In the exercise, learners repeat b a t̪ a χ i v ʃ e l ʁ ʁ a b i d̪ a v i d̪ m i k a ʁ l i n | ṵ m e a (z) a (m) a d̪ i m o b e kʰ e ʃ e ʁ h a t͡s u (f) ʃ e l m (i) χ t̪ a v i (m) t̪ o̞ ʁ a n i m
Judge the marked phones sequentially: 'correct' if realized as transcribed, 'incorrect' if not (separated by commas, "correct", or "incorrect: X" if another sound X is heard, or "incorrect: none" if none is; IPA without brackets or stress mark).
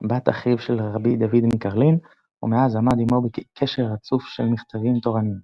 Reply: correct, correct, correct, correct, correct